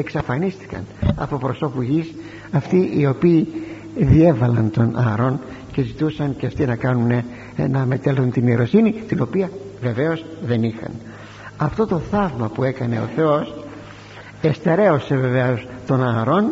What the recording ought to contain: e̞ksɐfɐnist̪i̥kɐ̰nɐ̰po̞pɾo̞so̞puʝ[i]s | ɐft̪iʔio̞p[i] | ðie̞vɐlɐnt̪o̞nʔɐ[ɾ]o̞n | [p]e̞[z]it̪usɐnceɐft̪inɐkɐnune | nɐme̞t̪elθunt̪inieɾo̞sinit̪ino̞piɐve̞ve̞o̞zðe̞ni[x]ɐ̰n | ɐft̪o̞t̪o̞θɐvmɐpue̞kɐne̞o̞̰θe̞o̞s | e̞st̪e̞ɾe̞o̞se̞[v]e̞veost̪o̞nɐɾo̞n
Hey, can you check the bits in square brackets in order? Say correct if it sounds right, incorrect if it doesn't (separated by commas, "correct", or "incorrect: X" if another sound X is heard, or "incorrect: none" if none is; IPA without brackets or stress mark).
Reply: correct, incorrect: iː, correct, incorrect: c, correct, correct, correct